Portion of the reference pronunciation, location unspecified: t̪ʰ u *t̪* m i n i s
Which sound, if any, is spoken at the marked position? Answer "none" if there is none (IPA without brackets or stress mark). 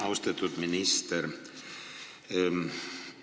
t̪